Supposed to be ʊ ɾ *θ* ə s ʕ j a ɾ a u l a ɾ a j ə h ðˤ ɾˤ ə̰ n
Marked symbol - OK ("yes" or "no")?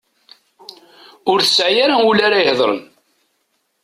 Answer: yes